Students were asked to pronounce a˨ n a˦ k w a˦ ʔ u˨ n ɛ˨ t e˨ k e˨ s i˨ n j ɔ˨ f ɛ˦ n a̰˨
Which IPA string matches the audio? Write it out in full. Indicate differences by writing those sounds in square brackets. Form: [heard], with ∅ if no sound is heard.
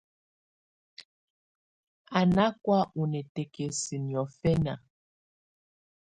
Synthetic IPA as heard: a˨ n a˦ k w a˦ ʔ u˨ n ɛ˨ t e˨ k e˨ s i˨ n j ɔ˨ f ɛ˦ n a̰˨